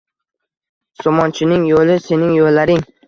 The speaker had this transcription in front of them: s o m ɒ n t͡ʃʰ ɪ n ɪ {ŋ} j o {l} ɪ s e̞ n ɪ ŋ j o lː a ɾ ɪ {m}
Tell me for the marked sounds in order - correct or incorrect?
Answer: correct, correct, incorrect: ŋ

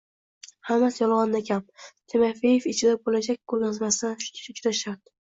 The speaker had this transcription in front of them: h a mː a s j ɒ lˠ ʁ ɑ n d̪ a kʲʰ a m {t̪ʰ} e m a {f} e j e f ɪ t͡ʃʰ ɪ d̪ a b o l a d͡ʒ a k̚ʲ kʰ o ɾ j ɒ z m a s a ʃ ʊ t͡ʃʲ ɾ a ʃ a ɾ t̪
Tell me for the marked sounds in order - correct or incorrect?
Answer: correct, correct

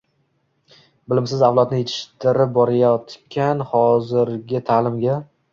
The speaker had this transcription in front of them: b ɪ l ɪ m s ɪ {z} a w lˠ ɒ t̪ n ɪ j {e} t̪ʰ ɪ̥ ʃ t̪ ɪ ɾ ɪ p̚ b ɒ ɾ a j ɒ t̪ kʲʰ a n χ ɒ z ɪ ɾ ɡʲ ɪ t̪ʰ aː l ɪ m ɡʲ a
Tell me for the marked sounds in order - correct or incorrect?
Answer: correct, correct

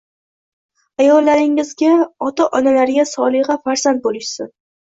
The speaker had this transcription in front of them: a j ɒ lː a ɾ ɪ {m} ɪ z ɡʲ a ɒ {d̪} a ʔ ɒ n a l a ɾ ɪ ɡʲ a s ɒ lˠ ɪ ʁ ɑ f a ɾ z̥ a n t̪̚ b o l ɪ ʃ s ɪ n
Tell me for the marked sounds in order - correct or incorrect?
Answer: incorrect: ŋ, incorrect: t̪

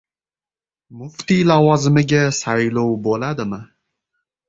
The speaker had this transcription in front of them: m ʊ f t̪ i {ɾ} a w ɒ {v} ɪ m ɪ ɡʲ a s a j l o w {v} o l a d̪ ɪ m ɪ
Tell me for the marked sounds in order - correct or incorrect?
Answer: incorrect: l, incorrect: z, incorrect: b

